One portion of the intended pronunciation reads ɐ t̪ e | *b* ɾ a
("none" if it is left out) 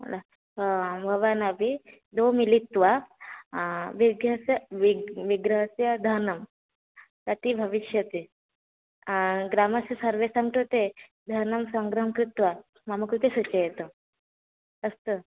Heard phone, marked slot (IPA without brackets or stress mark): ɡ